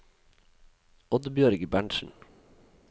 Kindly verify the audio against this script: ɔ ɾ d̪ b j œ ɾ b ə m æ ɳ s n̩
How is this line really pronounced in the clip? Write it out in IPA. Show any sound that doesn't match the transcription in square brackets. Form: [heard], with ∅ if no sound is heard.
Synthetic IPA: ɔ [∅] d̪ b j œ ɾ [ɡ] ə [b] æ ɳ [ʃ] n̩